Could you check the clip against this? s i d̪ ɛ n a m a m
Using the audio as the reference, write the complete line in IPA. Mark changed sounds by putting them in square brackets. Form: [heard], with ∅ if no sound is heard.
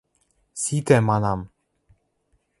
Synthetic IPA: s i [t̪] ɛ [m] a [n] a m